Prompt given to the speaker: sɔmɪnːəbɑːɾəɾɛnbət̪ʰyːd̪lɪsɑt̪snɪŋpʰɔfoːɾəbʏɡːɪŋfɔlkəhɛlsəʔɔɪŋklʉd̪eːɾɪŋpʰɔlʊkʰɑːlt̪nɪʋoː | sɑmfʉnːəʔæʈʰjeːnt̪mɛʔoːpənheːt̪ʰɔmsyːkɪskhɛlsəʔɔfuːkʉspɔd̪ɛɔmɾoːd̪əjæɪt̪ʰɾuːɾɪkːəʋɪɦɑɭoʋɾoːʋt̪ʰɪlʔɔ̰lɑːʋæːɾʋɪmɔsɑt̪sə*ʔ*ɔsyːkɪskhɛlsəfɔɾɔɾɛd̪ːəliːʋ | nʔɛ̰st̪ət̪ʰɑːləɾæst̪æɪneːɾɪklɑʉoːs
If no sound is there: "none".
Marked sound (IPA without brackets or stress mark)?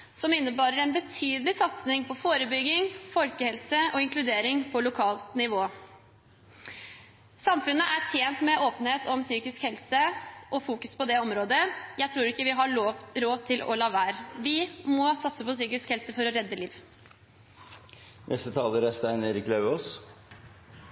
p